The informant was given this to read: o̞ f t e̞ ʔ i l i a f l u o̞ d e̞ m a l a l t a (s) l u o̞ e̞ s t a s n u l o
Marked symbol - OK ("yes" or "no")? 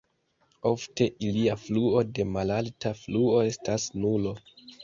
no